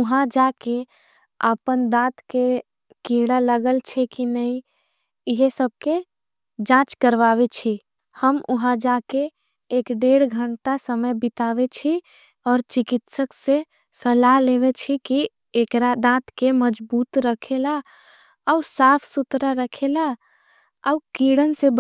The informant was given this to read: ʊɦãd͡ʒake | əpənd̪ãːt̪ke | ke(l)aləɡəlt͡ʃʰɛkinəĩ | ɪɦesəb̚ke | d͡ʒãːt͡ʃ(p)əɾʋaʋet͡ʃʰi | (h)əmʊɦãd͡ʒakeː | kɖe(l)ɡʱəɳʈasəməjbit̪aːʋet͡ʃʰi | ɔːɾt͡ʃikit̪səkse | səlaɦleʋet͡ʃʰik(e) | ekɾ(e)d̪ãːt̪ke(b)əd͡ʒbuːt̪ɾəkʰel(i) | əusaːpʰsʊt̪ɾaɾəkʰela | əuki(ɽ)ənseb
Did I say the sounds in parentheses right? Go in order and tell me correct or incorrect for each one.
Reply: incorrect, incorrect, correct, incorrect, incorrect, incorrect, incorrect, incorrect, correct

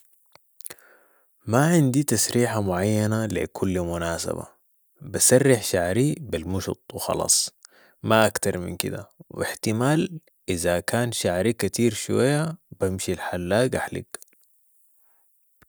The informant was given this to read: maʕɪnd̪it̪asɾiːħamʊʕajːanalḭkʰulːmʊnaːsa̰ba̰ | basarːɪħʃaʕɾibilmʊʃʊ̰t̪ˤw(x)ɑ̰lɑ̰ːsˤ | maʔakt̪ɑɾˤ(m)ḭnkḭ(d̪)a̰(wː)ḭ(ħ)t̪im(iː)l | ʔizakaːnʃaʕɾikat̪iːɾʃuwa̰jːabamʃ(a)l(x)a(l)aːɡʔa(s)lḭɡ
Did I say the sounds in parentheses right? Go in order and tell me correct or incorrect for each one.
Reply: correct, correct, correct, incorrect, correct, incorrect, incorrect, incorrect, incorrect, incorrect

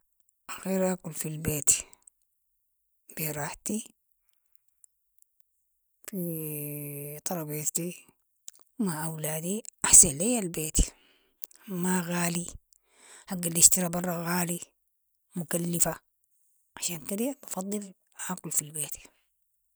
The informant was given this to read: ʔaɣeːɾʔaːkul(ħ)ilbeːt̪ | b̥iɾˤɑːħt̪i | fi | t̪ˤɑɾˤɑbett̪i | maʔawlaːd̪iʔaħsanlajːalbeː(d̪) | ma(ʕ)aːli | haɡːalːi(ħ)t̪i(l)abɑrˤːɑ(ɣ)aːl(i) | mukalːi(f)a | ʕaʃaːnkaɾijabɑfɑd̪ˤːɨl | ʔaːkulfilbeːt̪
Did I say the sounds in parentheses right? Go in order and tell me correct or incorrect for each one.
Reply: incorrect, incorrect, incorrect, incorrect, incorrect, correct, correct, correct

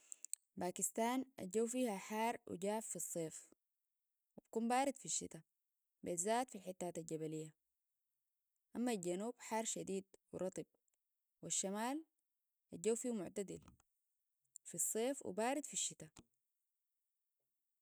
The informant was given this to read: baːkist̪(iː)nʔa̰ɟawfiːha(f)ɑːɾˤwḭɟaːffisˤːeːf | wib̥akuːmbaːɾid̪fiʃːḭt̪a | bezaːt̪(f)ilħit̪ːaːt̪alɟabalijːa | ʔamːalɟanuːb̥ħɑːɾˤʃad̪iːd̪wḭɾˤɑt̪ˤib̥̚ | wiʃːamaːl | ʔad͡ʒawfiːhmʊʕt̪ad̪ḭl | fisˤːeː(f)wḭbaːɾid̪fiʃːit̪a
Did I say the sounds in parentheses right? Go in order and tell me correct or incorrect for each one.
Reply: incorrect, incorrect, correct, correct

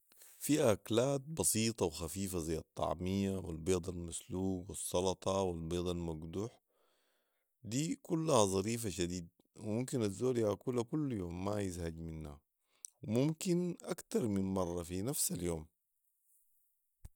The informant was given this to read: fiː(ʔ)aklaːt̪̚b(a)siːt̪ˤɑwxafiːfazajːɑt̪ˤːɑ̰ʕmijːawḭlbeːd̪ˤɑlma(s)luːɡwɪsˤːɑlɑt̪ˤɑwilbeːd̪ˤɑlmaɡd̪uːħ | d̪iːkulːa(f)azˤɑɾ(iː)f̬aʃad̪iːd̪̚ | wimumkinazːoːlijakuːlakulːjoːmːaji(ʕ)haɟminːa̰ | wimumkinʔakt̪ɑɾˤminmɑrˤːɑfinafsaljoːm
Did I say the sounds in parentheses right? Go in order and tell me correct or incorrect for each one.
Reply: correct, incorrect, correct, incorrect, correct, incorrect

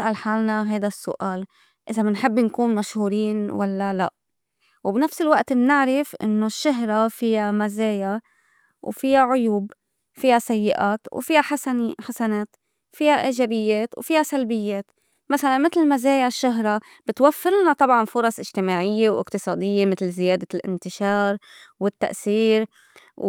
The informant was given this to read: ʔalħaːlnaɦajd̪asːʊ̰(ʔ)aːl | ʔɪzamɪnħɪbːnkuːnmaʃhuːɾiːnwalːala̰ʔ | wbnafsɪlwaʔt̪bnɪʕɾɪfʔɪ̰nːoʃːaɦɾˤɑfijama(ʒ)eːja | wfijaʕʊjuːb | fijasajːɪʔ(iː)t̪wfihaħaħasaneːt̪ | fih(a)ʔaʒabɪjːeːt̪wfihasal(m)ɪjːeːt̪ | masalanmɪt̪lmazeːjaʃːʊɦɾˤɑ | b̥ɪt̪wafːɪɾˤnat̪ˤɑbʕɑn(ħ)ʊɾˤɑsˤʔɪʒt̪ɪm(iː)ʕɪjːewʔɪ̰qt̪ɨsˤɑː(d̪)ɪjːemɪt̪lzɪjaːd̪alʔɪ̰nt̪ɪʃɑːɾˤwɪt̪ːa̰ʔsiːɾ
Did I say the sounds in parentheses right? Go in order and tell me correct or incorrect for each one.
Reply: correct, incorrect, incorrect, correct, incorrect, incorrect, incorrect, correct

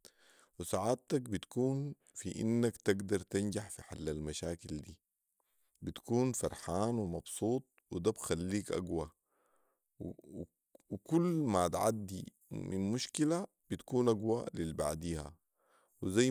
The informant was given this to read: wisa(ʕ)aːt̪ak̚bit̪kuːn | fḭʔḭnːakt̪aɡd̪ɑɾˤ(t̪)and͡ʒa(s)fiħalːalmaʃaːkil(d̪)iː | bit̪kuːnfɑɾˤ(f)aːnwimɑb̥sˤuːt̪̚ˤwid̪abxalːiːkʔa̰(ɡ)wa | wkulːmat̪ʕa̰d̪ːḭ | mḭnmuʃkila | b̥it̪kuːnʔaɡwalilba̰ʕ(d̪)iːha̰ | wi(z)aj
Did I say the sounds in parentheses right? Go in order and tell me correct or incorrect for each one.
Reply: correct, correct, incorrect, correct, incorrect, correct, correct, correct

